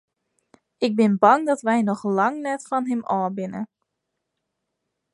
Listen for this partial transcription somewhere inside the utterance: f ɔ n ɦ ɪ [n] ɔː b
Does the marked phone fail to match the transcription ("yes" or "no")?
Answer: yes